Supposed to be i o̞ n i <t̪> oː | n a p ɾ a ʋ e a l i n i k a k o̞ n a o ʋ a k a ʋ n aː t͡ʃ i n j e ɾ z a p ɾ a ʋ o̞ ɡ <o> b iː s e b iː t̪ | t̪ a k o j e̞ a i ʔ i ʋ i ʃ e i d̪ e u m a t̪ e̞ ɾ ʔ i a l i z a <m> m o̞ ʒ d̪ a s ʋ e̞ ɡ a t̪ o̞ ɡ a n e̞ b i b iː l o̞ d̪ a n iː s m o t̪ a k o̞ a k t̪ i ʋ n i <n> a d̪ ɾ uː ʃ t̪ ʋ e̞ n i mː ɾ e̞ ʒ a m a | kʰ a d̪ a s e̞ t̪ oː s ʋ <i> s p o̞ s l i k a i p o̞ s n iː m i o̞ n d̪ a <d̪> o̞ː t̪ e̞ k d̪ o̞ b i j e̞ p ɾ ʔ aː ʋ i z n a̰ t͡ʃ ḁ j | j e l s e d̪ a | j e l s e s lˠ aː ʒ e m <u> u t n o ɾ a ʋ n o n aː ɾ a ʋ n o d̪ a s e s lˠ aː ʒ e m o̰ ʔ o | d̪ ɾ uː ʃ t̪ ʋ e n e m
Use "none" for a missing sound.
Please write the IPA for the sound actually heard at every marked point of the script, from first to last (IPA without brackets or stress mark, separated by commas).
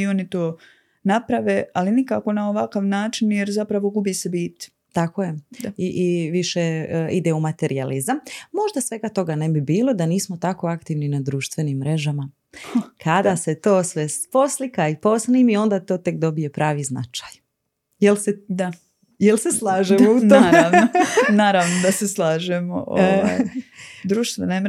t̪, u, m, n, e, t̪, o